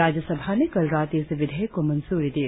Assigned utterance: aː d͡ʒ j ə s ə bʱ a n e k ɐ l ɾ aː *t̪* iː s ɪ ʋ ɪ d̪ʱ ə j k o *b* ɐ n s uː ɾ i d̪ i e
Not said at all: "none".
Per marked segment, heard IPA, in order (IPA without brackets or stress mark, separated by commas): t̪, m